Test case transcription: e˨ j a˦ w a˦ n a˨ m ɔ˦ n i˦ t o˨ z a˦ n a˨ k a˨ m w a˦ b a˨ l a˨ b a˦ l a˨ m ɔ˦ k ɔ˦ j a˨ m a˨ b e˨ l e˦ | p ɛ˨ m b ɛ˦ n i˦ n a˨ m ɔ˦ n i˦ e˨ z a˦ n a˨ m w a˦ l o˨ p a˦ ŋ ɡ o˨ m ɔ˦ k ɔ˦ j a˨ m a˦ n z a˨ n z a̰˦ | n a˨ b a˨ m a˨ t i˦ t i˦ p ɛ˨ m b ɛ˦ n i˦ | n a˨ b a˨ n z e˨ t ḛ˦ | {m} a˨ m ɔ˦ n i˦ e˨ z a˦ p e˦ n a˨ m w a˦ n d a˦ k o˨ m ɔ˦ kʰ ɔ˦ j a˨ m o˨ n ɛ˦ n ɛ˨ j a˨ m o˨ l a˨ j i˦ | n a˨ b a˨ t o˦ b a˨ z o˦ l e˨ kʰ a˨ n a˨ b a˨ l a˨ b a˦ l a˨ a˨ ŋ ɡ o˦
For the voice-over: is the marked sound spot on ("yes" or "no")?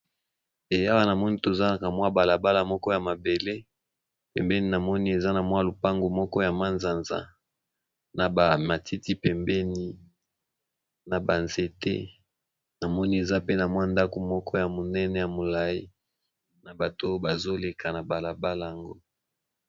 no